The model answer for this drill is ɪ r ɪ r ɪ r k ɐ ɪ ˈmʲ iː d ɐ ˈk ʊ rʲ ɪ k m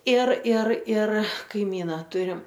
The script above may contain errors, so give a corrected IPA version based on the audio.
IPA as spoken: ɪ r ɪ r ɪ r k ɐ ɪ ˈmʲ iː n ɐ ˈt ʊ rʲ ɪ m